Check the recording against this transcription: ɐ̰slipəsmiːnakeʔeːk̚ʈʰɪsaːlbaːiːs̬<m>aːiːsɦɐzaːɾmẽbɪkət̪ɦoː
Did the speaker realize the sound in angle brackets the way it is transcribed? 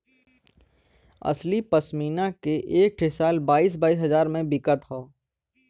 no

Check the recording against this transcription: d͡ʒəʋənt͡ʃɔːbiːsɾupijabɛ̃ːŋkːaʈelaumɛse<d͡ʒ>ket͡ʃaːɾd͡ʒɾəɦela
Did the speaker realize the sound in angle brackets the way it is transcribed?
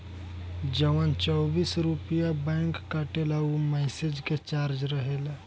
yes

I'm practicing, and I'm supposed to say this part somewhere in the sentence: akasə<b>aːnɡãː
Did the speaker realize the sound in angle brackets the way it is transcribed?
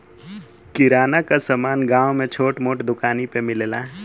no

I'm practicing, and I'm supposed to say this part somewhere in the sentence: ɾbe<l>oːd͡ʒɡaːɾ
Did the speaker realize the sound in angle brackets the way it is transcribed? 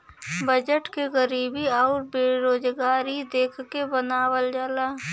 no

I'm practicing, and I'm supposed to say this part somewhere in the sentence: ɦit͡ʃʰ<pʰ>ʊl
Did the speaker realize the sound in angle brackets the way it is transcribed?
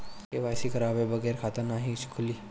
no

